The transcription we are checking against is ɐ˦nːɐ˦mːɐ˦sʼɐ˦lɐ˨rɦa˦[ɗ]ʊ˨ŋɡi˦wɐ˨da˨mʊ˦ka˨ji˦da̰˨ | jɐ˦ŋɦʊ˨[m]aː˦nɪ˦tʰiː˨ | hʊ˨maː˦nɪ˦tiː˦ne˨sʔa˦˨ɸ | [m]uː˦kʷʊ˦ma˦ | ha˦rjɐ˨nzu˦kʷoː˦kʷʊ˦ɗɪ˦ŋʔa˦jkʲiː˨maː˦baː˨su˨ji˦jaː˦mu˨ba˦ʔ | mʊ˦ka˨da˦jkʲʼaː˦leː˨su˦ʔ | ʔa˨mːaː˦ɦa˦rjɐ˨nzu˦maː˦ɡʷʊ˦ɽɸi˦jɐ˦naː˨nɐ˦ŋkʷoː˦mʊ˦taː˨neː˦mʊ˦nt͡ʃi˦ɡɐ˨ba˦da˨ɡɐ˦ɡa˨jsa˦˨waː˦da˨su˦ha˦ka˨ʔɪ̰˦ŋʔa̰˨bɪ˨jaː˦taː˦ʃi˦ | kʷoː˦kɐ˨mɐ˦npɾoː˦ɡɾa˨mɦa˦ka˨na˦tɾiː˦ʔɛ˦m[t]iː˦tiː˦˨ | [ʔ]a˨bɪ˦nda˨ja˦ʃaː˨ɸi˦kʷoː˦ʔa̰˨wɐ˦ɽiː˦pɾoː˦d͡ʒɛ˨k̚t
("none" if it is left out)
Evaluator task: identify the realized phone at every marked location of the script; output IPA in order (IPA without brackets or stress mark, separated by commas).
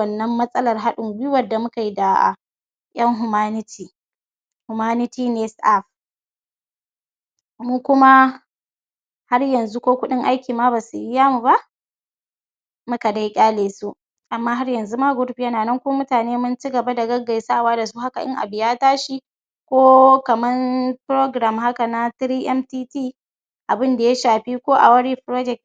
ɗ, m, m, t, ʔ